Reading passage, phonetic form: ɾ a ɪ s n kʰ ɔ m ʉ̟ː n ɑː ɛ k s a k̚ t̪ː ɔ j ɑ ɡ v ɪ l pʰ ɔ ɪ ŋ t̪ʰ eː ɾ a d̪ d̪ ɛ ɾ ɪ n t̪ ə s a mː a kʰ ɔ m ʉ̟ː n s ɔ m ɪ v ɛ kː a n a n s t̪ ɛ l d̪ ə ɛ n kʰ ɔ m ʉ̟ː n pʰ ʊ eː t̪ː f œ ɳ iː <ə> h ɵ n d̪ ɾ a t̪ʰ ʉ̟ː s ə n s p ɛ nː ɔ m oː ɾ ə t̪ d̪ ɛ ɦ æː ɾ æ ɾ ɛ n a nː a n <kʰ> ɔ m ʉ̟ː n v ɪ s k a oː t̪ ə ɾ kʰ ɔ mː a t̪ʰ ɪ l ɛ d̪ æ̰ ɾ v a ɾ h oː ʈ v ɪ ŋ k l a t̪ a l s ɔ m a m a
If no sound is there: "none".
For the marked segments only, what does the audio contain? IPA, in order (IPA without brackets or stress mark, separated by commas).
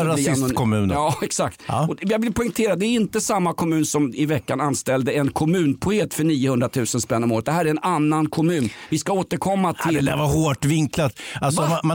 ə, kʰ